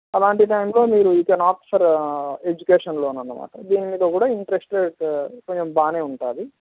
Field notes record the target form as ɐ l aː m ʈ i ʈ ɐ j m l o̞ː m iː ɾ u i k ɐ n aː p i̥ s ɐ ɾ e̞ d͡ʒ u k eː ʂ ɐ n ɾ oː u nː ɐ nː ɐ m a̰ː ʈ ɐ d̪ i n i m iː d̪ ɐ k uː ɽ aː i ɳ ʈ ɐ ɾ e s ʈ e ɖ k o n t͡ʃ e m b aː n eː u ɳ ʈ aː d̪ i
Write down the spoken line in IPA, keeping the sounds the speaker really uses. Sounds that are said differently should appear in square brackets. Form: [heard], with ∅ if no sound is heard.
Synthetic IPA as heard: ɐ l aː [ɳ] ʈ i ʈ ɐ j m l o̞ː m iː ɾ u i k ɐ n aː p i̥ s ɐ ɾ e̞ d͡ʒ u k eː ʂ ɐ n [l] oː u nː ɐ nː ɐ m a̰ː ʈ ɐ d̪ [iː] n i m iː d̪ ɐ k uː ɽ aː i ɳ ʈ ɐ ɾ e s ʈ e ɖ k o [ɲ] t͡ʃ e m b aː n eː u ɳ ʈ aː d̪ i